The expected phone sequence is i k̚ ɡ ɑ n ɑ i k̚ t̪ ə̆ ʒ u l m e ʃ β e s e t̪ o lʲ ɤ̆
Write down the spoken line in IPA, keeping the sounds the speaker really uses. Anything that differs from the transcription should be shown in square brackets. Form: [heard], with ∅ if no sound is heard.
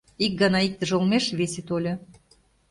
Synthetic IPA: i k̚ ɡ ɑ n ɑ i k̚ t̪ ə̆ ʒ [o] l m e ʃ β e s e t̪ o lʲ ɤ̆